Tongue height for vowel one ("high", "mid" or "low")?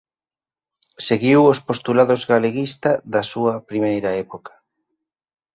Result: mid